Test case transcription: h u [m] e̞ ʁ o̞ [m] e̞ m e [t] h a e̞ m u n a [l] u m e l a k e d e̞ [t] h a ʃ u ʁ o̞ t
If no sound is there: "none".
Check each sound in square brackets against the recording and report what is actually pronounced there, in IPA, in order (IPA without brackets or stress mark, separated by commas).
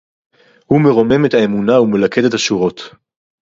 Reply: m, m, t, none, t